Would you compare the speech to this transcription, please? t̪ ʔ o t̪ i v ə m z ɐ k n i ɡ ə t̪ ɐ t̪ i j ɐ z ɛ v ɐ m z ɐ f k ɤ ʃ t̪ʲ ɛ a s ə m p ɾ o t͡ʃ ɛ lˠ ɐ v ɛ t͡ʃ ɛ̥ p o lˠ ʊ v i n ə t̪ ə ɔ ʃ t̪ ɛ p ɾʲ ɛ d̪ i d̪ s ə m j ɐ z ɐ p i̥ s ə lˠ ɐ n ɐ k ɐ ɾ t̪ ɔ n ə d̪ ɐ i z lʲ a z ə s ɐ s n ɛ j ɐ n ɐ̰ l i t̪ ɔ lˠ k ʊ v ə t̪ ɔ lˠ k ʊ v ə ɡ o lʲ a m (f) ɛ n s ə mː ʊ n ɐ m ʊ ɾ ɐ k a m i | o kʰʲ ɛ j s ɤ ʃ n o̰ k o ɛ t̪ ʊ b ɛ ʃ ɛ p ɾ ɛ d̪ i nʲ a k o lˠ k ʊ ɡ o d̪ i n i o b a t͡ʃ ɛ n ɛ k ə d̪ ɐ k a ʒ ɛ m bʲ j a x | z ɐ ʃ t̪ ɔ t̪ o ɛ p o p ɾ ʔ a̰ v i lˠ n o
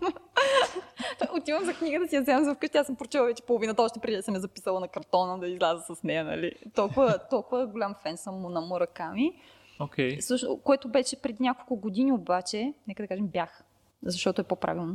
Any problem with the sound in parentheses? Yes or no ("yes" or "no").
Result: no